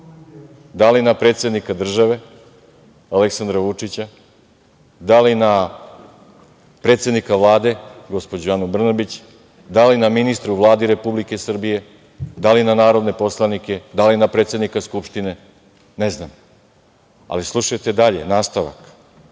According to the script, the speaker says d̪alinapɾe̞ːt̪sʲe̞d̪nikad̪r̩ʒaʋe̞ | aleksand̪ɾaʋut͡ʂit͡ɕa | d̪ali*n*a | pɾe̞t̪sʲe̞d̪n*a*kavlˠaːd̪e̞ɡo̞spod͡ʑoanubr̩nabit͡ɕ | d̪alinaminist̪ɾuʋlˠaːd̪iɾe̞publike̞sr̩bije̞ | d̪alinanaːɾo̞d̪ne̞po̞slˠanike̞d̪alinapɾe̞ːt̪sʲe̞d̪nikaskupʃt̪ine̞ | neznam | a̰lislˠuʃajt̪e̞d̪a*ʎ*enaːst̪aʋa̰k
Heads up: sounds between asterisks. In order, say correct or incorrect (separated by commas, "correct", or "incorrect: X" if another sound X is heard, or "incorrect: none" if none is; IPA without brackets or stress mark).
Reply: correct, incorrect: i, correct